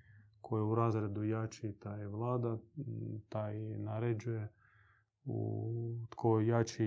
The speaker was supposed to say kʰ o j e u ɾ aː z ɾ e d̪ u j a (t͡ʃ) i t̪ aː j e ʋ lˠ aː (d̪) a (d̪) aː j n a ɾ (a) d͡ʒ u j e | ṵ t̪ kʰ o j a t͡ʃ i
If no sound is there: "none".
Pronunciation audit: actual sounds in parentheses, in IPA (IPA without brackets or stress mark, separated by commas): t͡ʃ, d̪, t̪, e